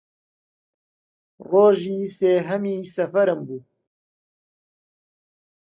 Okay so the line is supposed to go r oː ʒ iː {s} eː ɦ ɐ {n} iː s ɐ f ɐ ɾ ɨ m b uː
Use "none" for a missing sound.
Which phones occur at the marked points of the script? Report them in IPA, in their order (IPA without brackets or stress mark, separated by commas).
s, m